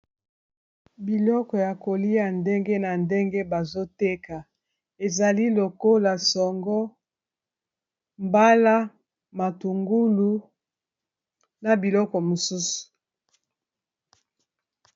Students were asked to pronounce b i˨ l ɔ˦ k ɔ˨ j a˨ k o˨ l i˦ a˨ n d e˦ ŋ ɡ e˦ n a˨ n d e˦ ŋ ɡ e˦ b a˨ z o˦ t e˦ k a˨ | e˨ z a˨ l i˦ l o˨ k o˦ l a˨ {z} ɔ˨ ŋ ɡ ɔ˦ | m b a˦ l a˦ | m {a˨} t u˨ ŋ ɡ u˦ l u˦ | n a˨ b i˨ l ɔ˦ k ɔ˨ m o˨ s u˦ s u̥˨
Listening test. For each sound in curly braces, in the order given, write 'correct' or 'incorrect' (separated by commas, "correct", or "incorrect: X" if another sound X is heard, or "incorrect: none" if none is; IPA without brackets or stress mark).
incorrect: s, correct